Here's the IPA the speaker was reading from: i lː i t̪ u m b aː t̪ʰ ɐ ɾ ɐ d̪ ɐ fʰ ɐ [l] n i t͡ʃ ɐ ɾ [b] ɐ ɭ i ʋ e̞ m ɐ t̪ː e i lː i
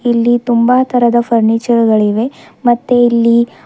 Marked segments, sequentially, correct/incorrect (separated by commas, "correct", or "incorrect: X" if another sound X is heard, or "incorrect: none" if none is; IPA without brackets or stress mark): incorrect: ɾ, incorrect: ɡ